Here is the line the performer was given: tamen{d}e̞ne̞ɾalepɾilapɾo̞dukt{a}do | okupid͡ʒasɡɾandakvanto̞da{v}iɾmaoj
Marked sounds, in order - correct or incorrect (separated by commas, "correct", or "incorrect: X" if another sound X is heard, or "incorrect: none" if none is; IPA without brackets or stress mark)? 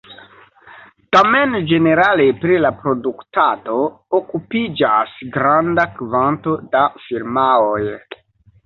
incorrect: d͡ʒ, correct, incorrect: f